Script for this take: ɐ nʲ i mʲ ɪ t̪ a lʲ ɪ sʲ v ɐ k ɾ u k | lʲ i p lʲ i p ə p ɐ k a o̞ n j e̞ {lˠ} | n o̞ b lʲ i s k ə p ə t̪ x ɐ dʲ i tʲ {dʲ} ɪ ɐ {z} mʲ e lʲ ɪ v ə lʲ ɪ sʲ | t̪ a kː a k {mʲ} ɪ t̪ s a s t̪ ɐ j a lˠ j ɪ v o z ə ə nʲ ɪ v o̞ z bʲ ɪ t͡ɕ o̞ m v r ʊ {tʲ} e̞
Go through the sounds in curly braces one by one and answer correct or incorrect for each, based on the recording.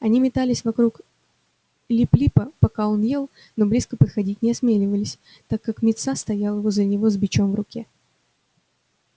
correct, incorrect: nʲ, incorrect: s, correct, incorrect: kʲ

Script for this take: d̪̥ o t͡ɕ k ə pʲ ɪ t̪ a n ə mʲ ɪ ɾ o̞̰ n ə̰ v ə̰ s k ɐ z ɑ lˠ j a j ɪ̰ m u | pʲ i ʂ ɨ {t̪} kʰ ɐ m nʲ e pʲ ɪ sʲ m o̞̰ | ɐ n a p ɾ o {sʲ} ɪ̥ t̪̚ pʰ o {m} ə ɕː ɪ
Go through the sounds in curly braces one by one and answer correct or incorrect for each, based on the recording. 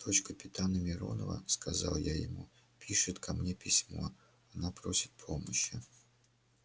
correct, correct, correct

